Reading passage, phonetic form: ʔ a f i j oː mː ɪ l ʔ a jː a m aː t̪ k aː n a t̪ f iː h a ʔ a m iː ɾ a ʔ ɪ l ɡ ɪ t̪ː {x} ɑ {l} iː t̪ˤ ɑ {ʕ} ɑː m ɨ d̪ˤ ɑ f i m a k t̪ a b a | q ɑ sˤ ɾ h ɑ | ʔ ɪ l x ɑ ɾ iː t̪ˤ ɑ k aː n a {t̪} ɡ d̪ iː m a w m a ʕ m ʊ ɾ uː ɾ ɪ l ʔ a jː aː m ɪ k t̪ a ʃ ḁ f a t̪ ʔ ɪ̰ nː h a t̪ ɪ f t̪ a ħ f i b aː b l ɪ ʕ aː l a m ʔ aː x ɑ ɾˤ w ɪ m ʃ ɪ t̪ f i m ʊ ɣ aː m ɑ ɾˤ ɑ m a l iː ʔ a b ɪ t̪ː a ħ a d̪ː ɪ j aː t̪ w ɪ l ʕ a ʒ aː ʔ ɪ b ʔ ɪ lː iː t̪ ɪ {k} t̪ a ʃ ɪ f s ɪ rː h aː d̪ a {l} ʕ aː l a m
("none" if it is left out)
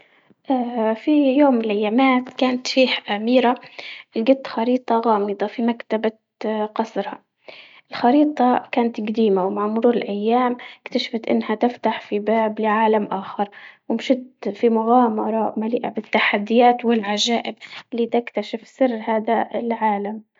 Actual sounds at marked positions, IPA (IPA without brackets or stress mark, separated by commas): x, ɾ, ɣ, t̪, k, l